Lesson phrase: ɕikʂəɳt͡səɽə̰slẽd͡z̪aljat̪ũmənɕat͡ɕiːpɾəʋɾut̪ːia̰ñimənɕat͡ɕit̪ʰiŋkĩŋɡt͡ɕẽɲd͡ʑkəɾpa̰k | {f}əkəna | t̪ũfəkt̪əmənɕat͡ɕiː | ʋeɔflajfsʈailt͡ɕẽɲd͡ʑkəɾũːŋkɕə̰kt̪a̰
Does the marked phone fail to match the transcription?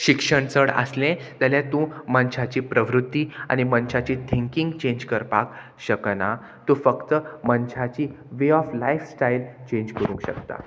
yes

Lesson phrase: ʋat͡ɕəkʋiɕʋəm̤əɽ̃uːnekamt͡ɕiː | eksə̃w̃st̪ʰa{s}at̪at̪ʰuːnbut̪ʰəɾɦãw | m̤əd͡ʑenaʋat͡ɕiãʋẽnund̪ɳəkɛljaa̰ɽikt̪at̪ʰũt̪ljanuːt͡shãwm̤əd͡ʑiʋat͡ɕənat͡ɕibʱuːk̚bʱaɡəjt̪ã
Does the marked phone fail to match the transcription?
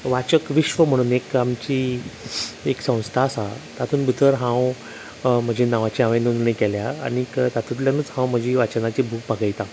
no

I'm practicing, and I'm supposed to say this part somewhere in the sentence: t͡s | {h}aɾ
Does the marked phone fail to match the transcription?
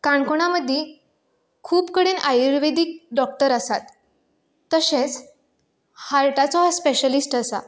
no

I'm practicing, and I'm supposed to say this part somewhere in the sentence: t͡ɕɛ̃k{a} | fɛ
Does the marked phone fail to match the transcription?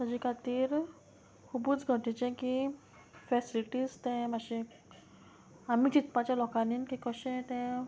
yes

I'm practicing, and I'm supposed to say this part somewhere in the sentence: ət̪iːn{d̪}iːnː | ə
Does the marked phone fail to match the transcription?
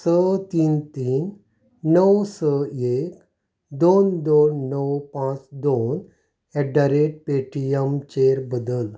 yes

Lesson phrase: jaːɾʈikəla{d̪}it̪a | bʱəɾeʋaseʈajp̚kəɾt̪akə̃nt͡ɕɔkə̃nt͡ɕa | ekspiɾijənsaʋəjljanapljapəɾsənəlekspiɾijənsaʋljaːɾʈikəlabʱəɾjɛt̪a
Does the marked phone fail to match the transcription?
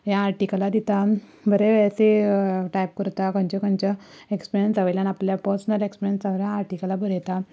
no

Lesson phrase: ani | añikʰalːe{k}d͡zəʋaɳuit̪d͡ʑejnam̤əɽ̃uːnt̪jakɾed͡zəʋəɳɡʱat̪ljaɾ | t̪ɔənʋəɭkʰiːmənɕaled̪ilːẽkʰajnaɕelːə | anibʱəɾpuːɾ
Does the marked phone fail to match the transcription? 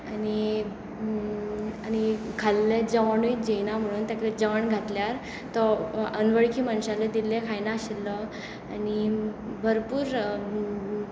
yes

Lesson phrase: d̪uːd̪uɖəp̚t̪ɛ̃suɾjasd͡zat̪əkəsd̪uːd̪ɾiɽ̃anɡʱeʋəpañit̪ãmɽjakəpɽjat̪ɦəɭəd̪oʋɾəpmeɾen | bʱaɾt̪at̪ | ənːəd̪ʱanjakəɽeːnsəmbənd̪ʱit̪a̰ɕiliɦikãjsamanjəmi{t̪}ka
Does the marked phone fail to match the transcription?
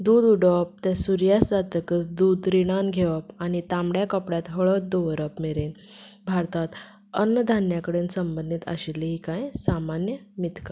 no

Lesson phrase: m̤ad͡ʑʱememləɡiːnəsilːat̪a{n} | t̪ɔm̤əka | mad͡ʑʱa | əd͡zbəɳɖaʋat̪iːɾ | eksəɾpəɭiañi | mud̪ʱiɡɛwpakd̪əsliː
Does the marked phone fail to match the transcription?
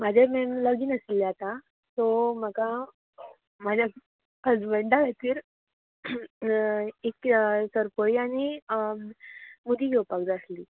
yes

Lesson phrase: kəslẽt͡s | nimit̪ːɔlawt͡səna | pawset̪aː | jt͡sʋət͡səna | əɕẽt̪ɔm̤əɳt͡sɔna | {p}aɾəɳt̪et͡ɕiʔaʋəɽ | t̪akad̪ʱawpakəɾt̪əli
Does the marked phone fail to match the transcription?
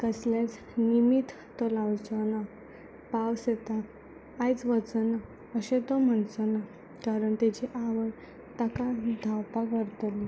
yes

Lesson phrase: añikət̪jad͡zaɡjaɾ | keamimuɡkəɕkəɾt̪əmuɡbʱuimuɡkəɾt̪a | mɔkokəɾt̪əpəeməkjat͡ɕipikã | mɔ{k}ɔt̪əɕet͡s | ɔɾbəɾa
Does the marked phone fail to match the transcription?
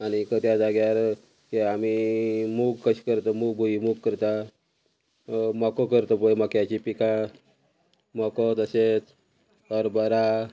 no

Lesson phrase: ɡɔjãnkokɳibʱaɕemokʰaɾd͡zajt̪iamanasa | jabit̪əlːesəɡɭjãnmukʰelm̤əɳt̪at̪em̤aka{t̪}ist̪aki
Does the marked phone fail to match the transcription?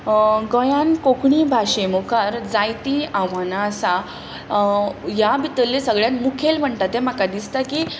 yes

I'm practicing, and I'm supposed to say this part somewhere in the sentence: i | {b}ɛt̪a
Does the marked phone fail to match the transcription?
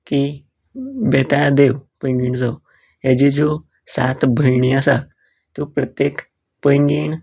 no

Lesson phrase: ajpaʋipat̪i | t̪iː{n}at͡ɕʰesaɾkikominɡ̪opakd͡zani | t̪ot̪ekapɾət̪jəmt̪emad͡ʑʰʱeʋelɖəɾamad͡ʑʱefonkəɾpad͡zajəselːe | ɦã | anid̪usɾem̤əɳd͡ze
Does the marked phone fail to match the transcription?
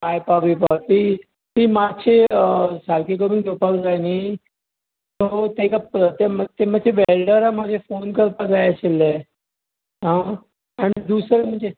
yes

